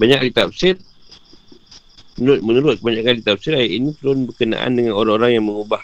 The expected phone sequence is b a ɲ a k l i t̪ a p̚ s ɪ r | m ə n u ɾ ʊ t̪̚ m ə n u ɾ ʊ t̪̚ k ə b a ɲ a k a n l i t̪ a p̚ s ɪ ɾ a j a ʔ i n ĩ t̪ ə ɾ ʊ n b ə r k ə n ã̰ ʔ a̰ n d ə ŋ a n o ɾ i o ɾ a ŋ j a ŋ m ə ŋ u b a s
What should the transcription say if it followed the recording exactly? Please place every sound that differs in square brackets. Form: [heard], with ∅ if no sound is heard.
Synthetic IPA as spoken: b a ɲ a k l i t̪ a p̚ s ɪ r | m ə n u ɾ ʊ t̪̚ m ə n u ɾ ʊ t̪̚ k ə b a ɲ a k a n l i t̪ a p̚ s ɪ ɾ a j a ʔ i n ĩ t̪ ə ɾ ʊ n b ə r k ə n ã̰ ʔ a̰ n d ə ŋ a n o ɾ [a] o ɾ a ŋ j a ŋ m ə ŋ u b a [h]